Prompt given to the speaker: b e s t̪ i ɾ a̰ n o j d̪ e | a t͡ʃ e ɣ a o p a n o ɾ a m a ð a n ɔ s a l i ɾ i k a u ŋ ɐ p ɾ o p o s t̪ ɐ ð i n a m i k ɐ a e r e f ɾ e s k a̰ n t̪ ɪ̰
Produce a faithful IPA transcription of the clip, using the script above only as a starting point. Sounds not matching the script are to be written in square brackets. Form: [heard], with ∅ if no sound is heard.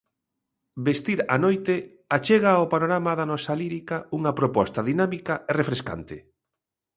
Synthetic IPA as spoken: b e s t̪ i ɾ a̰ n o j [t̪] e | a t͡ʃ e ɣ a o p a n o ɾ a m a ð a n ɔ s a l i ɾ i k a u ŋ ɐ p ɾ o p [ɔ] s t̪ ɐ ð i n a m i k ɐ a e r e f ɾ e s k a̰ n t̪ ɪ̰